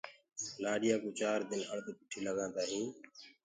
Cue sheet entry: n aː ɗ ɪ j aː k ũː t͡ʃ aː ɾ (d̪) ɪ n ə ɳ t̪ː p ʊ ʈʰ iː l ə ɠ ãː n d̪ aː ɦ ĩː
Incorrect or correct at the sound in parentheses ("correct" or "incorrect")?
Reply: correct